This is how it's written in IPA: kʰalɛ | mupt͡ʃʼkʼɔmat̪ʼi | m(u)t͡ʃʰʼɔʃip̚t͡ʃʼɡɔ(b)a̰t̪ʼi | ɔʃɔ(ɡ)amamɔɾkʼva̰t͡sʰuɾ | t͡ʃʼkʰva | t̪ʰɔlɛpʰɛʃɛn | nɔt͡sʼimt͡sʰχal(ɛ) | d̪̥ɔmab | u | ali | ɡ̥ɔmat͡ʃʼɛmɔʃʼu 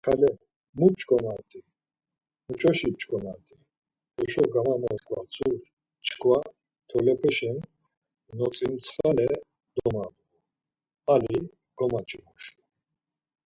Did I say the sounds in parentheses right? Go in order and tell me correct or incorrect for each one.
correct, incorrect: m, correct, correct

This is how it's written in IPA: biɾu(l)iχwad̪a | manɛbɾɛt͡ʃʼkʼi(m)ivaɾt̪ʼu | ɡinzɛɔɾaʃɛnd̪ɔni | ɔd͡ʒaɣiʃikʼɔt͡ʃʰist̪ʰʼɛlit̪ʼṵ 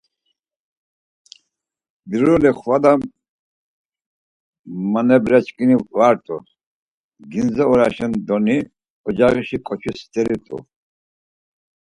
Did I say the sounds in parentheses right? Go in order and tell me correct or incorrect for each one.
correct, incorrect: n

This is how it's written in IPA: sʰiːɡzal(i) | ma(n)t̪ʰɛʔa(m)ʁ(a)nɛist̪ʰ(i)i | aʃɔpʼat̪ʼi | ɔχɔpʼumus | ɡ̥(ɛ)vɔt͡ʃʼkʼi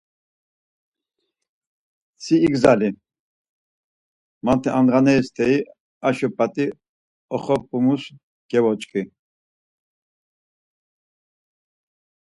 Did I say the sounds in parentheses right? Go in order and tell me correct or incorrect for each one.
correct, correct, incorrect: n, correct, incorrect: ɛ, correct

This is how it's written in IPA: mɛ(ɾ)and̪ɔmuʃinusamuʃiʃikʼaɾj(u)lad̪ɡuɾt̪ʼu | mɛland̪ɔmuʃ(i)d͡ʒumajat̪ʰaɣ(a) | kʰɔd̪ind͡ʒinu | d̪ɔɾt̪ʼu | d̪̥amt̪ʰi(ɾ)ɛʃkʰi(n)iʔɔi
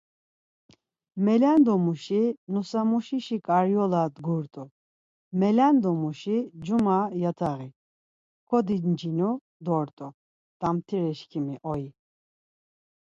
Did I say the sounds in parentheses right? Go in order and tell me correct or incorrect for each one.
incorrect: l, incorrect: ɔ, correct, incorrect: i, correct, incorrect: m

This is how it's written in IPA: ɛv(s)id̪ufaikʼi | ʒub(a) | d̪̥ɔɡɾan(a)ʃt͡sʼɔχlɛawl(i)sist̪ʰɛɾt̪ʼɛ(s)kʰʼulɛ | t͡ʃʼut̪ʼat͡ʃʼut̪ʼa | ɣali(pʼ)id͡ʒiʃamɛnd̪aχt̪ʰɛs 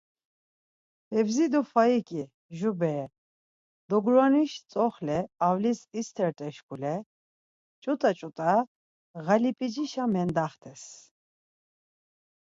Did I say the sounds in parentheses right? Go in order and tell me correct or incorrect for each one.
incorrect: z, incorrect: ɛ, incorrect: i, correct, incorrect: ʃ, correct

